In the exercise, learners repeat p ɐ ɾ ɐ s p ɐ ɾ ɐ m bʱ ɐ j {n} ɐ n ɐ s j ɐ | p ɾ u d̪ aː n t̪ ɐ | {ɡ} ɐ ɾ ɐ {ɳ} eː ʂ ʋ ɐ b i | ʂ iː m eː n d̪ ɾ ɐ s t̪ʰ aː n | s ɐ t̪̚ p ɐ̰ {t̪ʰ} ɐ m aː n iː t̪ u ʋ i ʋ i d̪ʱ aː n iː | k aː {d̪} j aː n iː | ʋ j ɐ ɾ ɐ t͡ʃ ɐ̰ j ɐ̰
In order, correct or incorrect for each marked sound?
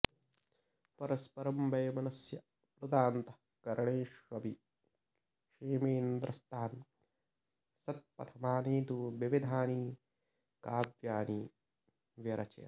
incorrect: m, incorrect: k, correct, correct, correct

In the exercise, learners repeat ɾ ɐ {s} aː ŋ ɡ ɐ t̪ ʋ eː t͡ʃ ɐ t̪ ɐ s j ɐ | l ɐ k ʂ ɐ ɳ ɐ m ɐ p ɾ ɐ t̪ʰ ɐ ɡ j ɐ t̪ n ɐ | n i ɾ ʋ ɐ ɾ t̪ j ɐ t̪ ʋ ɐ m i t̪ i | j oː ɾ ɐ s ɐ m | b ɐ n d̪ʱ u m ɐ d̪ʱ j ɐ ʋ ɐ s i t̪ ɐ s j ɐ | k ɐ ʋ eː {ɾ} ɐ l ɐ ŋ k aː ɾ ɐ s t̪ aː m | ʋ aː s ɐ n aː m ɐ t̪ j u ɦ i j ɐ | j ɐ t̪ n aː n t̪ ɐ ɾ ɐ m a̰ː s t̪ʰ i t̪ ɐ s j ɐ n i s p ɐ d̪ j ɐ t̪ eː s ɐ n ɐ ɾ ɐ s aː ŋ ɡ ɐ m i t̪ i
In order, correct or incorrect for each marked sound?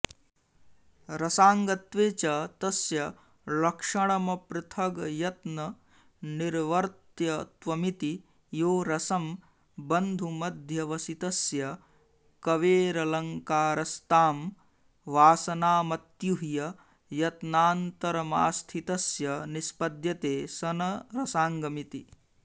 correct, correct

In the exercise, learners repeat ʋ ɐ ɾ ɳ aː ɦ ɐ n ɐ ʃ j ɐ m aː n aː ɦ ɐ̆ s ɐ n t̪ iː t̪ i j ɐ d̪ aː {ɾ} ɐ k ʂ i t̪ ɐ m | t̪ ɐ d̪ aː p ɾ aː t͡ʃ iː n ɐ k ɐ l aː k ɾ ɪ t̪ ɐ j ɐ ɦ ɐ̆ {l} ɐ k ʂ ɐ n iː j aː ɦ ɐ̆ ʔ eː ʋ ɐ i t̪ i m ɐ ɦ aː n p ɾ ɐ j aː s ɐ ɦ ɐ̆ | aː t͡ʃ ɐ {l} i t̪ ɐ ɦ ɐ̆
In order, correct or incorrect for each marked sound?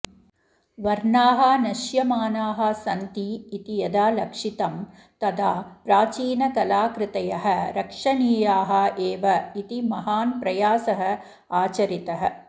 incorrect: l, incorrect: ɾ, incorrect: ɾ

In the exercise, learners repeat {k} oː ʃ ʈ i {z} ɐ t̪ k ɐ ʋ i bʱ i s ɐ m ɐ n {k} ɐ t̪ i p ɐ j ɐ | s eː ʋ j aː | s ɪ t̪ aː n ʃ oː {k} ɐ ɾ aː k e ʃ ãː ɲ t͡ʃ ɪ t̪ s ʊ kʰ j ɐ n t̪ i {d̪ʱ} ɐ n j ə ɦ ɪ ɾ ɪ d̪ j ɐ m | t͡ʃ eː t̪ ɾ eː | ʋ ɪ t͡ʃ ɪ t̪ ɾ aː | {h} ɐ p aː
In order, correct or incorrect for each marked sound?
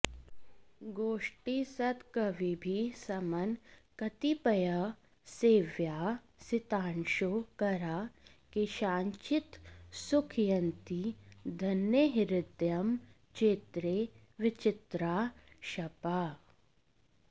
incorrect: ɡ, incorrect: s, correct, correct, correct, incorrect: ʃ

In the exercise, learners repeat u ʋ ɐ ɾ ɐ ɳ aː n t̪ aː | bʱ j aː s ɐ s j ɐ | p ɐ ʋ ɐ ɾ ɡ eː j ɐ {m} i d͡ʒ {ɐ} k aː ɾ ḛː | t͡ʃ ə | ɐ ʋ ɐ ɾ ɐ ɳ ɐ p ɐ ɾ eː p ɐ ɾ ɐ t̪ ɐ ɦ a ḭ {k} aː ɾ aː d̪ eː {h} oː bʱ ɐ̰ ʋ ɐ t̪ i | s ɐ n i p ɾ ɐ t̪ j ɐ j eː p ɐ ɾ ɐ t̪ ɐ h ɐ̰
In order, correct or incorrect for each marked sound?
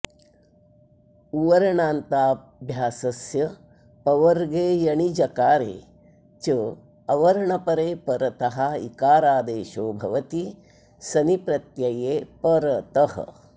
incorrect: ɳ, correct, correct, incorrect: ʃ

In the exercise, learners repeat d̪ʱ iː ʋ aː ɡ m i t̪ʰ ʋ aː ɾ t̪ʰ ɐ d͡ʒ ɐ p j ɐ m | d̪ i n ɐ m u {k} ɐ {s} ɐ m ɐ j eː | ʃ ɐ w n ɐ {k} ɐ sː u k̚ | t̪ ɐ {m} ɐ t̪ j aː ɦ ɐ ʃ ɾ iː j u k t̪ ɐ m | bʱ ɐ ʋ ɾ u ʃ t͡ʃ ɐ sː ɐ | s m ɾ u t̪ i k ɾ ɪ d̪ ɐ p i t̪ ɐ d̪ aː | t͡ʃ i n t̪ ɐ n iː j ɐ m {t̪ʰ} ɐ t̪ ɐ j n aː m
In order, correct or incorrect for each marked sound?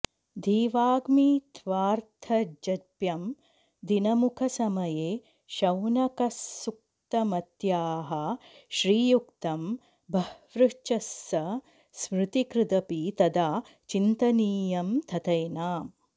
incorrect: kʰ, correct, correct, correct, correct

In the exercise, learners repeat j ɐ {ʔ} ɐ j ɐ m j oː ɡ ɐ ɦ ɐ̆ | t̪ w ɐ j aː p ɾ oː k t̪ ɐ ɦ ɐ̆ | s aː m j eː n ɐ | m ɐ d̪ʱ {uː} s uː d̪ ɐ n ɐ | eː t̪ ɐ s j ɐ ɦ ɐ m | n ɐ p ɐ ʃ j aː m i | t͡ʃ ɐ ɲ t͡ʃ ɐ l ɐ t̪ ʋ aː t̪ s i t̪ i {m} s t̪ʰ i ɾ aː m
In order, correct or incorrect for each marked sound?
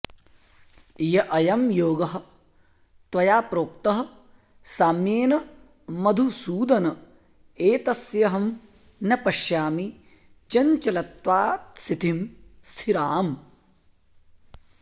correct, incorrect: u, correct

